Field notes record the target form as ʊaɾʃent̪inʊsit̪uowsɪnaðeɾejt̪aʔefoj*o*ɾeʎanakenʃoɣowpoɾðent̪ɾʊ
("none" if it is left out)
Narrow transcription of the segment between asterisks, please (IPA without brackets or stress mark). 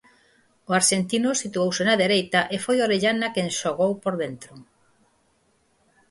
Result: o